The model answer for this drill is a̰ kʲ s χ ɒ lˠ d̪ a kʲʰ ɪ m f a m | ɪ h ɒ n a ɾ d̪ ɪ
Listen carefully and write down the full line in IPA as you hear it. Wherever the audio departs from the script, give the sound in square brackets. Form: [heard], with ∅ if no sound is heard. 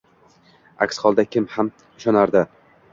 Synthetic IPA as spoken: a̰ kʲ s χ ɒ lˠ d̪ a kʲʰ ɪ m [h] a m | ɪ [ʃ] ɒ n a ɾ d̪ ɪ